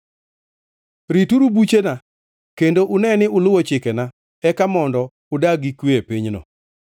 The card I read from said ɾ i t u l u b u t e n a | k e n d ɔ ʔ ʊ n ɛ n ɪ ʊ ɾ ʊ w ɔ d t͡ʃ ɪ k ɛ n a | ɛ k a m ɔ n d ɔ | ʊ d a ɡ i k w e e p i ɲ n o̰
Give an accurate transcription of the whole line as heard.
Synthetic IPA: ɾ i t u ɾ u b u t͡ʃ e n a | k e n d o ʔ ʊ n ɛ n ɪ ʊ l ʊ w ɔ t͡ʃ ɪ k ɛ n a | ɛ k a m ɔ n d ɔ | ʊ d a ɡ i k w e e p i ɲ n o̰